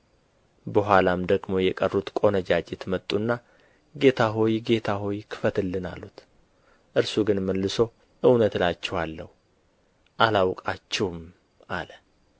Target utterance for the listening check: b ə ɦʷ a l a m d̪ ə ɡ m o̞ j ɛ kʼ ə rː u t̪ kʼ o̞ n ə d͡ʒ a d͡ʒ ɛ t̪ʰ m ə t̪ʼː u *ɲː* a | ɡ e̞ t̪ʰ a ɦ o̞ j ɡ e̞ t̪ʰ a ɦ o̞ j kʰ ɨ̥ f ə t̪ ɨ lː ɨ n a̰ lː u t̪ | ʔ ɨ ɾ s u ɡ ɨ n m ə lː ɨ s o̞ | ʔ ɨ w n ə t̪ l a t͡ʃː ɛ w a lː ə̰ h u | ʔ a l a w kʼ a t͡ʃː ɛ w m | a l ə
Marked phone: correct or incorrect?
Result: incorrect